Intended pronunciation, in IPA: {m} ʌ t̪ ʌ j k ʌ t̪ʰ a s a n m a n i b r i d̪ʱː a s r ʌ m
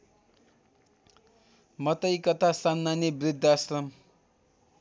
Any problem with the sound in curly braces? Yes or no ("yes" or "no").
no